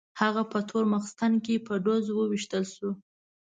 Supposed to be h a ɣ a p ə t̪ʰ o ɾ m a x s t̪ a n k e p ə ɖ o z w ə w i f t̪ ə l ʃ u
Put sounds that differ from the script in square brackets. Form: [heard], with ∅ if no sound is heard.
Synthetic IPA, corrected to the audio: h a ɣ a p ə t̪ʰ o ɾ m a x s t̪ a n k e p ə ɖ o z w ə w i [ʃ] t̪ ə l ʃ u